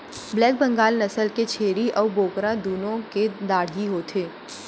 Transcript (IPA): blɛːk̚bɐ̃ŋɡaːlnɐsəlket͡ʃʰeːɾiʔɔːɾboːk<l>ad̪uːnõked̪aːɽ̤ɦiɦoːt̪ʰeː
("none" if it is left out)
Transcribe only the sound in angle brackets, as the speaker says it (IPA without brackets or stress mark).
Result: ɾ